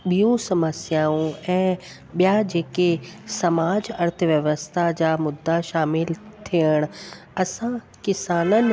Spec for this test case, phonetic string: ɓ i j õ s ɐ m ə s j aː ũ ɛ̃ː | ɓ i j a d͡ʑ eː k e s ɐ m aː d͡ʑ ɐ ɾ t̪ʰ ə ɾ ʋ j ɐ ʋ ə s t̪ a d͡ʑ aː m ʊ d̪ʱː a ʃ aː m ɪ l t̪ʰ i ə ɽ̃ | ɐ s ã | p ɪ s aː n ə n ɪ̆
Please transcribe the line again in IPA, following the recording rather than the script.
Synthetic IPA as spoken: ɓ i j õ s ɐ m ə s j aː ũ ɛ̃ː | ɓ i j a d͡ʑ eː k e s ɐ m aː d͡ʑ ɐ ɾ t̪ʰ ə ʋ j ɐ ʋ ə s t̪ʰ a d͡ʑ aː m ʊ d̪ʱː a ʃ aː m ɪ l t̪ʰ i ə ɽ̃ | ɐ s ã | k ɪ s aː n ə n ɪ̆